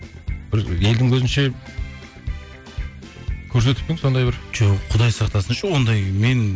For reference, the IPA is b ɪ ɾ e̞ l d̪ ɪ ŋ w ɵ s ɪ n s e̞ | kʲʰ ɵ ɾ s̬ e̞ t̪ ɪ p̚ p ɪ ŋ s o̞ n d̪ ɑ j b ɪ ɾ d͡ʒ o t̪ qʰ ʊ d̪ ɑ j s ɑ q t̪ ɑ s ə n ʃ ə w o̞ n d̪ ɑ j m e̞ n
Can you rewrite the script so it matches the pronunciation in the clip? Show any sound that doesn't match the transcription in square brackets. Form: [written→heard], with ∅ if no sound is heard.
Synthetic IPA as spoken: b ɪ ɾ e̞ l d̪ ɪ ŋ w ɵ [s→z] ɪ n [s→ʃ] e̞ | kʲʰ ɵ ɾ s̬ e̞ t̪ ɪ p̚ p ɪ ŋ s o̞ n d̪ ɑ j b ɪ ɾ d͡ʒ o [t̪→∅] qʰ ʊ d̪ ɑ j s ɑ q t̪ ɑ s ə n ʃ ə w o̞ n d̪ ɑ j m e̞ n